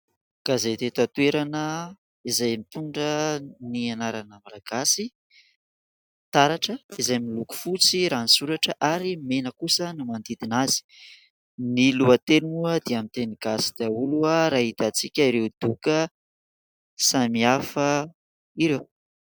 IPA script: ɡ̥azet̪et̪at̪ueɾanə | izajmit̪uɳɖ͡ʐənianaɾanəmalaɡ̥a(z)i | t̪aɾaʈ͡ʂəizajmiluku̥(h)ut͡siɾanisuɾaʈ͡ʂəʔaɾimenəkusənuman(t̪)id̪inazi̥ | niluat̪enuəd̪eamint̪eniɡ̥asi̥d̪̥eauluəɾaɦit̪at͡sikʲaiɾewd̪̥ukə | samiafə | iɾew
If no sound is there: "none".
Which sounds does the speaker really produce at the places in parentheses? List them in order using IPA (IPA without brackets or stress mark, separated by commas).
s, f, d̪